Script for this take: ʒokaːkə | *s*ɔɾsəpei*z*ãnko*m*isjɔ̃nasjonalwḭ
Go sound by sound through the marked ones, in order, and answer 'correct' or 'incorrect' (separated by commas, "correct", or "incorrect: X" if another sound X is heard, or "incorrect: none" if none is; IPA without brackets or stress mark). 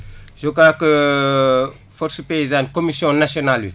incorrect: f, correct, correct